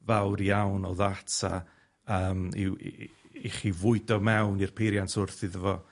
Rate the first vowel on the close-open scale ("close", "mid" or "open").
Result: open